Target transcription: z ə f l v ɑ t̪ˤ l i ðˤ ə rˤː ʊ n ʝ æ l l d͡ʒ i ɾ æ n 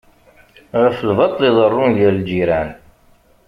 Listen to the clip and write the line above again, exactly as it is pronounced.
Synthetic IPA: ʁ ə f l v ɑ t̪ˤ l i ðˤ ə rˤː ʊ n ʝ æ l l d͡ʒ i ɾ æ n